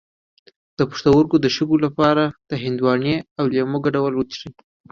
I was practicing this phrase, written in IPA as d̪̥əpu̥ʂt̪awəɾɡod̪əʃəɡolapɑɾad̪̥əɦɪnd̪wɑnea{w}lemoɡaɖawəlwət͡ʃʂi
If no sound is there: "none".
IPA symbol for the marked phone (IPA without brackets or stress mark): w